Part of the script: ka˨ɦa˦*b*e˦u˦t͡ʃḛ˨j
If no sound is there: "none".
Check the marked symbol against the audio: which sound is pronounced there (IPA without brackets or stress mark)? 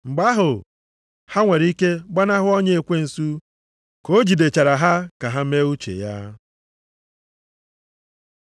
m